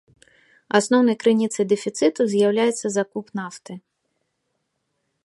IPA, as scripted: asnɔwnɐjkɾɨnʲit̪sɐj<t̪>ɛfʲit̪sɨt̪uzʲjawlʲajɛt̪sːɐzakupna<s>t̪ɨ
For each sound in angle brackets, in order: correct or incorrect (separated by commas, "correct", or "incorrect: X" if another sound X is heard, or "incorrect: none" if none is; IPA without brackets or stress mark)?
incorrect: d̪, incorrect: f